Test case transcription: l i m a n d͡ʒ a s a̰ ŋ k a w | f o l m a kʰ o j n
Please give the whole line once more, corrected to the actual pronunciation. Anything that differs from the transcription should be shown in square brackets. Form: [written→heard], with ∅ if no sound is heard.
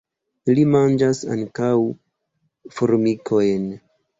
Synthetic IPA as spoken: l i m a n d͡ʒ a s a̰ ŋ k a w | f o [l→ɾ] m [a→i] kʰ o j n

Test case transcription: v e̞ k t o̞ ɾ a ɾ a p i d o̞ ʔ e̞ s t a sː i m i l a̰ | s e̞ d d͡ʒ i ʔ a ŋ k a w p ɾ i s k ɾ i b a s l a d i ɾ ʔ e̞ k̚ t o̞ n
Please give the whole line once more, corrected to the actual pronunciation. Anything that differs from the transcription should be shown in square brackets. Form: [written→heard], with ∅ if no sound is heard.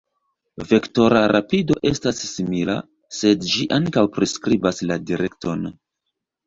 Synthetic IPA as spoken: v e̞ k t o̞ ɾ a ɾ a p i d o̞ ʔ e̞ s t a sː i m i l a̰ | s e̞ d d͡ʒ i ʔ a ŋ k a w p ɾ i s k ɾ i b a s l a d i ɾ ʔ e̞ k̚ t o̞ n

